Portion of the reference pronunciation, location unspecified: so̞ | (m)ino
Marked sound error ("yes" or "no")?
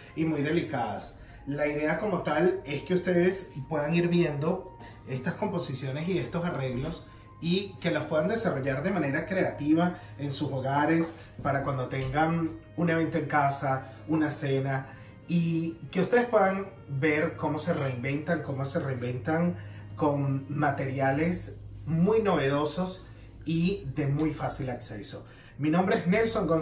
no